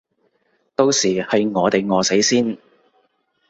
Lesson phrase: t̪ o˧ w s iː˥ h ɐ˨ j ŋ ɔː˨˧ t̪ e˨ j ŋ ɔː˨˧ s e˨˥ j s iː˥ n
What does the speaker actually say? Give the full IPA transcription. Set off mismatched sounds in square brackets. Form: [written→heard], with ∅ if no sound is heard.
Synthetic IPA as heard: t̪ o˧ w s [iː˥→iː˨˩] h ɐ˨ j ŋ ɔː˨˧ t̪ e˨ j ŋ ɔː˨˧ s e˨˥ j s iː˥ n